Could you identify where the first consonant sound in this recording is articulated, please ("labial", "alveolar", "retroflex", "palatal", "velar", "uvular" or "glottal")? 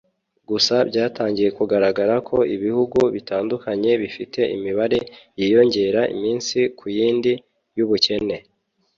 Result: velar